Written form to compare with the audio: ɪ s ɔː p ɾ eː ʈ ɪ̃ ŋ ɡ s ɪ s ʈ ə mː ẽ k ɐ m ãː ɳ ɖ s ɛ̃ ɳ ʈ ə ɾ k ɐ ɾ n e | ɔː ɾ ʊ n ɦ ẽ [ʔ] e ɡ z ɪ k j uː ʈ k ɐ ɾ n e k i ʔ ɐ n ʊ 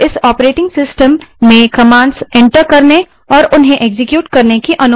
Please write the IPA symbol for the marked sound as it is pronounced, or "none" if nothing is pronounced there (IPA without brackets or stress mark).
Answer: ʔ